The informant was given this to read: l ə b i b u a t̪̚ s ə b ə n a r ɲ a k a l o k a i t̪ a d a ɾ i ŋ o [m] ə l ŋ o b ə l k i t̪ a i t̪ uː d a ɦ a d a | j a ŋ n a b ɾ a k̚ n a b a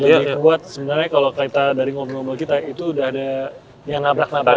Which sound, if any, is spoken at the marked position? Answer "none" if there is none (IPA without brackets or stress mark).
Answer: b